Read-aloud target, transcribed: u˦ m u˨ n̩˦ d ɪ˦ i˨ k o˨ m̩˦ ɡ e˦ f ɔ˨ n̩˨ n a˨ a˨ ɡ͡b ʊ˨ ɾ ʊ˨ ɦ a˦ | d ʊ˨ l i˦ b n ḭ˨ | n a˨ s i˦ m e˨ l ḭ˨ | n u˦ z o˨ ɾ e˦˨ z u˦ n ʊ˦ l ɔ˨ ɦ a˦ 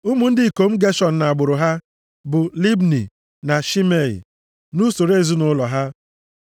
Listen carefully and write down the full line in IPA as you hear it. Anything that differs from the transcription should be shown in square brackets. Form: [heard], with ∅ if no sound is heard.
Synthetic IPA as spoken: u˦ m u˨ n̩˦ d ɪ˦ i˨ k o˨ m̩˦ ɡ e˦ [ʃ] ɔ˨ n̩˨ n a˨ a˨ ɡ͡b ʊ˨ ɾ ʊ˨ ɦ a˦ | [b] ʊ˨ l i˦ b n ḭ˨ | n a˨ [ʃ] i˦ m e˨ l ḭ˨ | n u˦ [s] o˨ ɾ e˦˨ z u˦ n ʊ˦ l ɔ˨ ɦ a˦